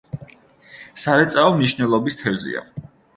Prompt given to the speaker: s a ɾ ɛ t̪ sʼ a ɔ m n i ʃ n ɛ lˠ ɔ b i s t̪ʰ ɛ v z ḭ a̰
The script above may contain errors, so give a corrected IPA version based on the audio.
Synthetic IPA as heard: s a ɾ ɛ t̪ sʼ a ɔ m n i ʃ n ɛ lˠ ɔ b i s t̪ʰ ɛ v z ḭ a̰